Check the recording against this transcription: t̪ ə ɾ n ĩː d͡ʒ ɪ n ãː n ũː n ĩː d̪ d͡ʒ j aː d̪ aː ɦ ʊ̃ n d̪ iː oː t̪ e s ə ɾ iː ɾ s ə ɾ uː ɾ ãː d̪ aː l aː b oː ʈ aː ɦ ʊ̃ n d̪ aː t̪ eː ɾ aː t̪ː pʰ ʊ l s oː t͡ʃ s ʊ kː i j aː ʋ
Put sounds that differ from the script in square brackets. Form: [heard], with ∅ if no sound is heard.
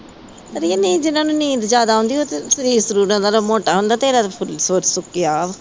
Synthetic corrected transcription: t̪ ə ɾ n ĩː d͡ʒ ɪ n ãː n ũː n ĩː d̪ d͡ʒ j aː d̪ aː ɦ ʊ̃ n d̪ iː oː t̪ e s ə ɾ iː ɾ s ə ɾ uː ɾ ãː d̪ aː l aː [m] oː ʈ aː ɦ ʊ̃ n d̪ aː t̪ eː ɾ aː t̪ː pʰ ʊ l s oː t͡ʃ s ʊ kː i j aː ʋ